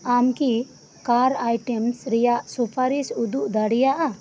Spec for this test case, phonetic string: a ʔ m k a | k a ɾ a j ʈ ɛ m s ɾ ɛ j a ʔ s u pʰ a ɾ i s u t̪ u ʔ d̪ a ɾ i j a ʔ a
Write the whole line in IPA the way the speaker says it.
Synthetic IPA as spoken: a m k i | k a ɾ a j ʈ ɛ m s ɾ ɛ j a ʔ s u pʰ a ɾ i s u d̪ u ʔ d̪ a ɽ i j a ʔ a

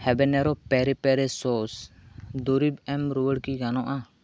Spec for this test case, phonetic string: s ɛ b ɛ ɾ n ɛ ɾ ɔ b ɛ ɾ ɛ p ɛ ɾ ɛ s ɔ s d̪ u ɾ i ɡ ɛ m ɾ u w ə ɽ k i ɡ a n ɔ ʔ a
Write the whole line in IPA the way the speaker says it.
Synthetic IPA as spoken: h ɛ b ɛ n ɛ ɾ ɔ p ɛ ɾ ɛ p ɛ ɾ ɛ s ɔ s d̪ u ɾ i b ɛ m ɾ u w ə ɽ k i ɡ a n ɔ ʔ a

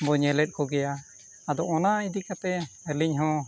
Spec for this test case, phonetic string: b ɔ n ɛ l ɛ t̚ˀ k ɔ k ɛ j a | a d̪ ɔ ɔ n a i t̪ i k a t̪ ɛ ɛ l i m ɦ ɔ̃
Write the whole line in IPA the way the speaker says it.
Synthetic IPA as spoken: b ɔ ɲ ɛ l ɛ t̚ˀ k ɔ ɡ ɛ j a | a d̪ ɔ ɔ n a i d̪ i k a t̪ ɛ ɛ l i ɲ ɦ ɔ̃

